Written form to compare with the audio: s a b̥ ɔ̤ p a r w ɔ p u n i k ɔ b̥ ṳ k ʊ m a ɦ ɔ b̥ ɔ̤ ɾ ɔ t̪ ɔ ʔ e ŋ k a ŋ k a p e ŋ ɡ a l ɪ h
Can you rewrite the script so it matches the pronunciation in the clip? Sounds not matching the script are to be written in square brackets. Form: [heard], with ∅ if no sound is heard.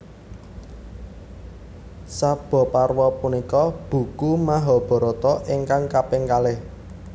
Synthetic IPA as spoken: s a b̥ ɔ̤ p a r w ɔ p u n i k ɔ b̥ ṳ k [u] m a ɦ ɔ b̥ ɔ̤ ɾ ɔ t̪ ɔ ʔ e ŋ k a ŋ k a p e ŋ [k] a l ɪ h